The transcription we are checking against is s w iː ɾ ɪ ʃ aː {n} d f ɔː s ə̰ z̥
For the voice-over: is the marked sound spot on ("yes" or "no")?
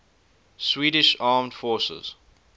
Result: no